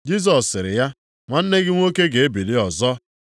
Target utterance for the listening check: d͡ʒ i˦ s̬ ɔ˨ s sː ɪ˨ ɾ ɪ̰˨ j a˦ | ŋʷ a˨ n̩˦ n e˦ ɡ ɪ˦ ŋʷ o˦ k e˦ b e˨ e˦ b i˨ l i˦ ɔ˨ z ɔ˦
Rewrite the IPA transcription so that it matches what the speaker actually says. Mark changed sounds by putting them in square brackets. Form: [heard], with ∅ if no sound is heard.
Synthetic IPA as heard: d͡ʒ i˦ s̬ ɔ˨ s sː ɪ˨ ɾ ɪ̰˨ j a˦ | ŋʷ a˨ n̩˦ n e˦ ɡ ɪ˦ ŋʷ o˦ k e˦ [ɡ] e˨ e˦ b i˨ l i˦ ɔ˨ z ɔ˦

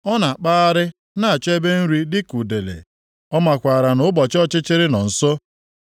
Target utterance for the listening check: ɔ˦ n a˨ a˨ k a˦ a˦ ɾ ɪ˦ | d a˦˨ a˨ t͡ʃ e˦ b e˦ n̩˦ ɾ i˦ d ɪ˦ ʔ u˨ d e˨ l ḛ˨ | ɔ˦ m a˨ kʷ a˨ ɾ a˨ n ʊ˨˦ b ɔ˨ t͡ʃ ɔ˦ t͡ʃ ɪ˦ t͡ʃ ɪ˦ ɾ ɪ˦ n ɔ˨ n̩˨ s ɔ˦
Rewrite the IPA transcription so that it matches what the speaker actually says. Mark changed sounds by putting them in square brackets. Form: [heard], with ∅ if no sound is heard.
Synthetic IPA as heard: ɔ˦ n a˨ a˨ [k͡p] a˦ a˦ ɾ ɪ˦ | [n] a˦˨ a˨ t͡ʃ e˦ b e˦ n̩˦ ɾ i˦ d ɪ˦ [k] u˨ d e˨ l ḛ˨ | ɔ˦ m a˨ kʷ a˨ ɾ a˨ n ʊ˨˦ b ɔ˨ t͡ʃ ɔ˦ t͡ʃ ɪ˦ t͡ʃ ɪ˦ ɾ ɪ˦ n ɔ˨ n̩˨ s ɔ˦

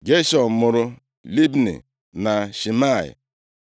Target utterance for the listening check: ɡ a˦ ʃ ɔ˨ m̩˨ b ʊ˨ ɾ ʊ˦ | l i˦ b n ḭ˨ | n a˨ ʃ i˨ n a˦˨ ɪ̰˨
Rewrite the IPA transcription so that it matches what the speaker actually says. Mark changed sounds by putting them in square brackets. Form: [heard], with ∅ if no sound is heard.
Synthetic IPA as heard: ɡ [e˦] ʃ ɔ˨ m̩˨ [m] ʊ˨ ɾ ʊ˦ | l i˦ b n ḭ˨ | n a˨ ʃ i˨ [m] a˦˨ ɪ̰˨

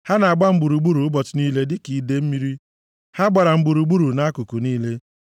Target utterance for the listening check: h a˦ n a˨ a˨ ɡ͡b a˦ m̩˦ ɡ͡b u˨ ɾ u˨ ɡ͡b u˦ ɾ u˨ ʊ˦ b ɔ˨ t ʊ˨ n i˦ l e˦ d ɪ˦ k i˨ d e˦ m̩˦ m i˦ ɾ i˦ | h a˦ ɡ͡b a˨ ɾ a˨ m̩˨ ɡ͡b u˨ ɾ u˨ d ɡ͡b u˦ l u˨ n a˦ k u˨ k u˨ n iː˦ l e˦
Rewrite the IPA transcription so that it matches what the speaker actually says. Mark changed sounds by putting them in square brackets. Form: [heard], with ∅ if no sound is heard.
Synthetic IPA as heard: h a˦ n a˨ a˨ ɡ͡b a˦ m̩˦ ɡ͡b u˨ ɾ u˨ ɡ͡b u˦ ɾ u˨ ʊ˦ b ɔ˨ t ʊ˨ n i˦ l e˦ d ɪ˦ k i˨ d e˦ m̩˦ m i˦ ɾ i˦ | h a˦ ɡ͡b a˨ ɾ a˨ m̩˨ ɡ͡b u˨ ɾ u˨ [∅] ɡ͡b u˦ [ɾ] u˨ n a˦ k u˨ k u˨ n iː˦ l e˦

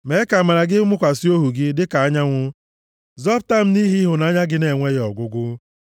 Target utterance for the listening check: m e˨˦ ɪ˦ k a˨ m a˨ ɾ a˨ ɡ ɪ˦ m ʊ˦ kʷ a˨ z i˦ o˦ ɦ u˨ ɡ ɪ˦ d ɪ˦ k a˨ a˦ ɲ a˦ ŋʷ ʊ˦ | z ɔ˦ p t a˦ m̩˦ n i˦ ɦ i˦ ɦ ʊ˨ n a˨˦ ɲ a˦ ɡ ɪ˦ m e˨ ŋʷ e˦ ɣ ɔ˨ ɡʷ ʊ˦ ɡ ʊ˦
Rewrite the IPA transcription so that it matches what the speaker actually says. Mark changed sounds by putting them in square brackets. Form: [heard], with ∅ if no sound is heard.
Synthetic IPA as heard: m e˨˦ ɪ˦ k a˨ m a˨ ɾ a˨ ɡ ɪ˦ m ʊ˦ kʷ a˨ [s] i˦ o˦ ɦ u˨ ɡ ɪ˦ d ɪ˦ k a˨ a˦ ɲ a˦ ŋʷ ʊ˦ | z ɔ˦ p t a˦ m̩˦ n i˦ ɦ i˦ ɦ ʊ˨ n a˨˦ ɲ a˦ ɡ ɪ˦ [n] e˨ ŋʷ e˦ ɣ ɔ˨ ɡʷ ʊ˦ ɡ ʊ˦

